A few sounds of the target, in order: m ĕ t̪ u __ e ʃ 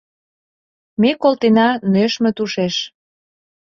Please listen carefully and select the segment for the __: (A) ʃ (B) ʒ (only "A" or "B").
A